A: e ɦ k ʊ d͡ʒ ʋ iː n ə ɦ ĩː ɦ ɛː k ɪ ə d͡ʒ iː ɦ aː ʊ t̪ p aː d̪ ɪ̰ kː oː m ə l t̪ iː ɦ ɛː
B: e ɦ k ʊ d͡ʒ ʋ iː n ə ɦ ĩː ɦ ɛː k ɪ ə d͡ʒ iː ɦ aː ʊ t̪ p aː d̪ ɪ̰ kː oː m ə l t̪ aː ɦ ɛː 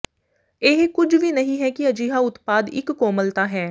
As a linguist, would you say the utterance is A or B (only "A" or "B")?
B